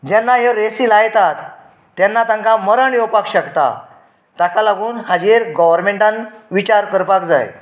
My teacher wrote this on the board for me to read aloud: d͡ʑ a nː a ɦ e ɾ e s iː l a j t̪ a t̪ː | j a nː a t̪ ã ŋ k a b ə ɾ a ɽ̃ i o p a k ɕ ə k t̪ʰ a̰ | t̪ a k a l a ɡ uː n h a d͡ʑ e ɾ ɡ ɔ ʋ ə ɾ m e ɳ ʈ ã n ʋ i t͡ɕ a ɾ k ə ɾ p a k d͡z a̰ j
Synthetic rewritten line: d͡ʑ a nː a ɦ e ɾ e s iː l a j t̪ a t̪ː | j a nː a t̪ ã ŋ k a m ə ɾ a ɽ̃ i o p a k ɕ ə k t̪ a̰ | t̪ a k a l a ɡ uː n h a d͡ʑ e ɾ ɡ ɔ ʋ ə ɾ m e ɳ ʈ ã n ʋ i t͡ɕ a ɾ k ə ɾ p a k d͡z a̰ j